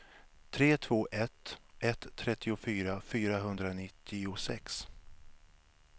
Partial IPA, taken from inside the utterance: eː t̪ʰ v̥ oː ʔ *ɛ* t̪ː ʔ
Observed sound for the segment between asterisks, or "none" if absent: ɛ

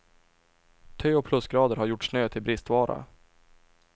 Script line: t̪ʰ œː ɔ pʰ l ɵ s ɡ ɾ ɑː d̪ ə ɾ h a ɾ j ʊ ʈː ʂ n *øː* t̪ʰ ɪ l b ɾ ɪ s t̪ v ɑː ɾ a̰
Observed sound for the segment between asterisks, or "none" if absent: øː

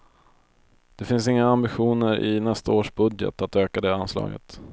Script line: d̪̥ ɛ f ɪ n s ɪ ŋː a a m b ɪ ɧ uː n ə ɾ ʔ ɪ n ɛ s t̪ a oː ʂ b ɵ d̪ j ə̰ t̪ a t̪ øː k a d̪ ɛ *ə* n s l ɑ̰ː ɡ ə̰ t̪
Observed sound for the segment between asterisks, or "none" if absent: a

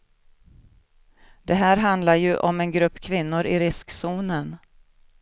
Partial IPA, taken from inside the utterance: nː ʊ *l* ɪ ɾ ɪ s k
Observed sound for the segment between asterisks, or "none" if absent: ɾ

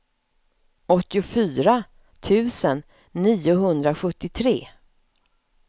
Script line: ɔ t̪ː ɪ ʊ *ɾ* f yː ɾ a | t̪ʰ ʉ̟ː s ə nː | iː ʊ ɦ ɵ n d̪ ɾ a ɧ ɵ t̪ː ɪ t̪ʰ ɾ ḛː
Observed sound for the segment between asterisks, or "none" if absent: none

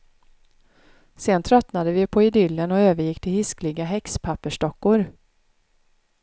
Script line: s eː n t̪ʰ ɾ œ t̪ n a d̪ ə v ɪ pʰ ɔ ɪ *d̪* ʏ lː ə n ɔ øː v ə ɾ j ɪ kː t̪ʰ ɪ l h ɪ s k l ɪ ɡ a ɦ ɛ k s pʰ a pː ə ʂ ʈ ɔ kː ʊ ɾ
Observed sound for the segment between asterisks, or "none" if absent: d̪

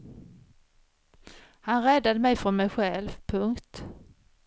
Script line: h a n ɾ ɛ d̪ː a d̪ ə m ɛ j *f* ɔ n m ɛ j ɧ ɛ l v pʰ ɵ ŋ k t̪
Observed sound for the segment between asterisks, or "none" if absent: f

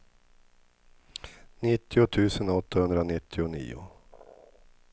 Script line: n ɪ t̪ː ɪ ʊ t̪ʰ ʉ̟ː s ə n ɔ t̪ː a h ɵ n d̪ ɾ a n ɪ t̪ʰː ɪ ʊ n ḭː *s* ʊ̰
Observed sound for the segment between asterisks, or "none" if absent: none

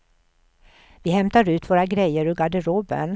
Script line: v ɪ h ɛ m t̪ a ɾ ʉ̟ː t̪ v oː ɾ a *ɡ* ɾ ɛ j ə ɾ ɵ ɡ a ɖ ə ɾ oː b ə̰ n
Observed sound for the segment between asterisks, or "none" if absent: ɡ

